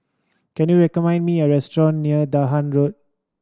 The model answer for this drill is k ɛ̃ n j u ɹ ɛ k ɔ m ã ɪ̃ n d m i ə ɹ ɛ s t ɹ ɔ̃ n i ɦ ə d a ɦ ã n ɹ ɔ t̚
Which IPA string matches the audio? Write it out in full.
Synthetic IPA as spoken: k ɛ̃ n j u ɹ ɛ k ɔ m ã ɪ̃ n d m i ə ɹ ɛ s t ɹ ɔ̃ nː i ə d a ɦ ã n ɹ o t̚